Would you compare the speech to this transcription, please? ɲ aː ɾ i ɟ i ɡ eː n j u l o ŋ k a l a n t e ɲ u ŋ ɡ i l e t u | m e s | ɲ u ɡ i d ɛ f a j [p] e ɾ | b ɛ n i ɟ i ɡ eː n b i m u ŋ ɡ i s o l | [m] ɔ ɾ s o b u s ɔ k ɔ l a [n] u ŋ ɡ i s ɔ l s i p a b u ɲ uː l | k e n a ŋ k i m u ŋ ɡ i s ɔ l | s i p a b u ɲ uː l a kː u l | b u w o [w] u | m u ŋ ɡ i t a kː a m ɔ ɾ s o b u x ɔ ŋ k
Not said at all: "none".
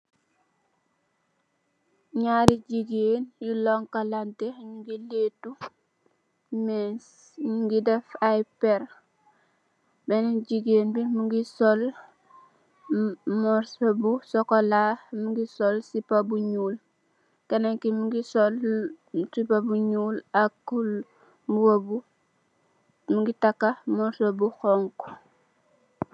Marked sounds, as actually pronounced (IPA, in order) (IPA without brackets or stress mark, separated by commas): p, m, m, b